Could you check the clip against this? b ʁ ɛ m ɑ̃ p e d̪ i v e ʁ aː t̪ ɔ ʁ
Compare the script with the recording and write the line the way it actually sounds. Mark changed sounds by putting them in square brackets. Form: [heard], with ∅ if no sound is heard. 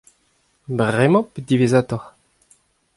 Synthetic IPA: b ʁ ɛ m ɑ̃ p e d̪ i v e [z] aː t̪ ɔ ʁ